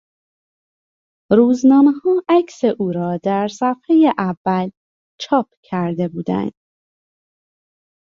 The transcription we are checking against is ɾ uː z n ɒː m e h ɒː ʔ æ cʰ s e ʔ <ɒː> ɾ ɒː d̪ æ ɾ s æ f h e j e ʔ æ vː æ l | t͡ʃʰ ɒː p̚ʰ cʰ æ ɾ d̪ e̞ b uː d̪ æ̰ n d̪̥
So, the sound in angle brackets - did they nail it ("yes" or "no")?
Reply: no